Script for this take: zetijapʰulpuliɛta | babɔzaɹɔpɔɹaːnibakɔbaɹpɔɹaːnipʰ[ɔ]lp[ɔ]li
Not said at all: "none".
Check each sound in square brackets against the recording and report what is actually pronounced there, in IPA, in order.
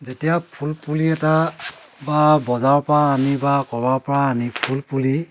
u, u

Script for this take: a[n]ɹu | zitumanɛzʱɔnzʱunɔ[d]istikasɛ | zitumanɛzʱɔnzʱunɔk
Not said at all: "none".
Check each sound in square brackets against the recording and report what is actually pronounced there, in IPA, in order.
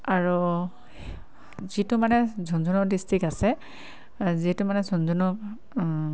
none, d

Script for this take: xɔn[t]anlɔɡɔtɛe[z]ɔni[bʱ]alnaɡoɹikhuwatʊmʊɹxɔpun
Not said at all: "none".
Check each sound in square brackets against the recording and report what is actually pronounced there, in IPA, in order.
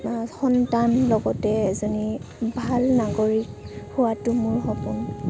t, z, bʱ

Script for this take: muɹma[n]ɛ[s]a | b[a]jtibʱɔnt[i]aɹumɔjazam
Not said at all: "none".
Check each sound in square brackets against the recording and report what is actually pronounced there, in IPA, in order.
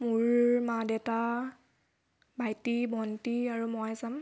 d, t, a, i

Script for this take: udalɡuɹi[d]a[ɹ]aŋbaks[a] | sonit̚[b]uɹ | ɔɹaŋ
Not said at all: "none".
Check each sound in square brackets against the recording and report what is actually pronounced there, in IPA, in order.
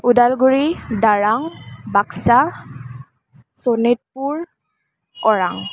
d, ɹ, a, p

